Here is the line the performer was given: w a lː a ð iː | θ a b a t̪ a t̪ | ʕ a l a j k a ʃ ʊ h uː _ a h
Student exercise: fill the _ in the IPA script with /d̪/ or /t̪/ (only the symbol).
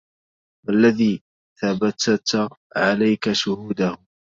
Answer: d̪